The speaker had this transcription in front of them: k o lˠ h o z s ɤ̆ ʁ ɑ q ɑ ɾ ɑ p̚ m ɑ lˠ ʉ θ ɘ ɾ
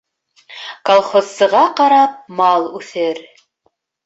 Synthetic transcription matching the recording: k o lˠ χ o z s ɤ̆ ʁ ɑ q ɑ ɾ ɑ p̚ m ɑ lˠ ʉ θ ɘ ɾ